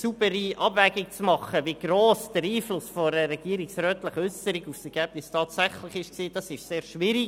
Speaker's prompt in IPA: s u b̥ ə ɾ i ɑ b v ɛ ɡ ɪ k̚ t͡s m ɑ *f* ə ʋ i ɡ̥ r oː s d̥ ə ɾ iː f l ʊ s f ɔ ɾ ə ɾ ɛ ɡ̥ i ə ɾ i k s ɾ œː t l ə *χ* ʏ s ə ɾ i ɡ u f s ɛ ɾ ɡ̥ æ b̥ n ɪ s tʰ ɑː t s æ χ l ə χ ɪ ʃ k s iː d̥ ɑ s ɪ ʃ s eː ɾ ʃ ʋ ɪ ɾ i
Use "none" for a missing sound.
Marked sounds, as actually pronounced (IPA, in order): χ, χ

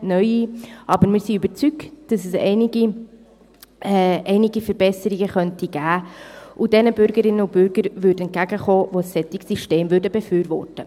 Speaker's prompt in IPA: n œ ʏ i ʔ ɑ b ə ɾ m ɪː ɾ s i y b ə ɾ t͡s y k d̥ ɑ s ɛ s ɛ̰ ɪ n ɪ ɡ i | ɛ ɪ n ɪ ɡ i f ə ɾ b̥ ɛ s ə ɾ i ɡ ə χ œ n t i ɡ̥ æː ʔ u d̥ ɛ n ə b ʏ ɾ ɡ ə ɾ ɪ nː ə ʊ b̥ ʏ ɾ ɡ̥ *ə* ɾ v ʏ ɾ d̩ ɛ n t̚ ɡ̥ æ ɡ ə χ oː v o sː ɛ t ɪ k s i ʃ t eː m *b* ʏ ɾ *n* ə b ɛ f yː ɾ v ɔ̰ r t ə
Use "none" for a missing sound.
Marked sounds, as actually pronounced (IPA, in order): ə, v, d

